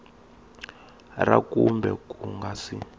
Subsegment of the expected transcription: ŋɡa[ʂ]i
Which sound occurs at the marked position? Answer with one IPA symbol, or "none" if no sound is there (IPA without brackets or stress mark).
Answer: s